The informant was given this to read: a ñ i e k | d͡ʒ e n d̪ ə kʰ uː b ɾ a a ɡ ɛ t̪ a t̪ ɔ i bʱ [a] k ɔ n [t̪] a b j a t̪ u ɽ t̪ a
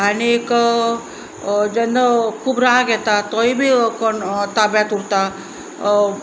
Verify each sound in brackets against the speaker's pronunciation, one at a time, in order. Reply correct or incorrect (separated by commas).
incorrect, correct